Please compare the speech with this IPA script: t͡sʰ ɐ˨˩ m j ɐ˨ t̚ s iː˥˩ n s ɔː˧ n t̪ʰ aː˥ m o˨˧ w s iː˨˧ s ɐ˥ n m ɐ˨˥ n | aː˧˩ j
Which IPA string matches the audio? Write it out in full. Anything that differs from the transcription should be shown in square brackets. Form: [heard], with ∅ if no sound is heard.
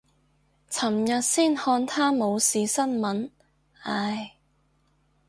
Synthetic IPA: t͡sʰ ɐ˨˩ m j ɐ˨ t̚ s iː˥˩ n [h] ɔː˧ n t̪ʰ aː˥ m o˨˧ w s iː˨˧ s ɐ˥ n m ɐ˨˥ n | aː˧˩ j